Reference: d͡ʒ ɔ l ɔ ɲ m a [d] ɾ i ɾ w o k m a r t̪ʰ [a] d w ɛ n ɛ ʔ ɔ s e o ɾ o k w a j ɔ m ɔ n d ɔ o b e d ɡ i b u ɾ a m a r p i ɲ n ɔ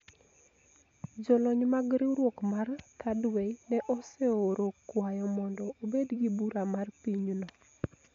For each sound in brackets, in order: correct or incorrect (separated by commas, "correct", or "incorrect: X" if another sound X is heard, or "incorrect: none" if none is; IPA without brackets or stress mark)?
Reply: incorrect: ɡ, correct